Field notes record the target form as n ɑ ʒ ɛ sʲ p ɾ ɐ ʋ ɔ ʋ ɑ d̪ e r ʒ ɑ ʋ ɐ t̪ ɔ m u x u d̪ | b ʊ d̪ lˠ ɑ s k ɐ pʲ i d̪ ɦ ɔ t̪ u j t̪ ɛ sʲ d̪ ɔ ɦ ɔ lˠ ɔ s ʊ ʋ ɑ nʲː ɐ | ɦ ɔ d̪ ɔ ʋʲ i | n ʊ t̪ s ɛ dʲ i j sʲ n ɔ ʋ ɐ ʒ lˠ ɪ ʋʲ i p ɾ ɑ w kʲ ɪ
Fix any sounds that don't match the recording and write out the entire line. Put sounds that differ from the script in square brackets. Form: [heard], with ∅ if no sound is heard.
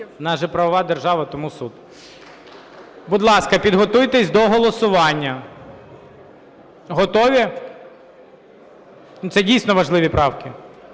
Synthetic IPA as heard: n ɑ ʒ ɛ [∅] p ɾ ɐ ʋ ɔ ʋ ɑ d̪ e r ʒ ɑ ʋ ɐ t̪ ɔ m u [s] u d̪ | b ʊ d̪ lˠ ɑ s k ɐ pʲ i d̪ ɦ ɔ t̪ u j t̪ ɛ sʲ d̪ ɔ ɦ ɔ lˠ ɔ s ʊ ʋ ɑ nʲː ɐ | ɦ ɔ [t̪] ɔ ʋʲ i | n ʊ t̪ s ɛ dʲ i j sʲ n ɔ ʋ ɐ ʒ lˠ ɪ ʋʲ i p ɾ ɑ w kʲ ɪ